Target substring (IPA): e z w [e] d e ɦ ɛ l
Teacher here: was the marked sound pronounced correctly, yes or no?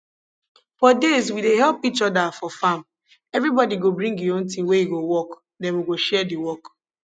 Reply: no